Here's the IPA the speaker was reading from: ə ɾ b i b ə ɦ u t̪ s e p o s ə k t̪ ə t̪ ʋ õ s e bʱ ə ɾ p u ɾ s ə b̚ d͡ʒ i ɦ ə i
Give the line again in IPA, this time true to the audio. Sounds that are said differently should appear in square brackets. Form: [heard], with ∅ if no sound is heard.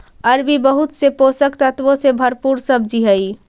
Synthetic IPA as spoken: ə ɾ b i b ə ɦ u t̪ s e p o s ə k t̪ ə t̪ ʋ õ s e bʱ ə ɾ p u ɾ s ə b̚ d͡ʒ i ɦ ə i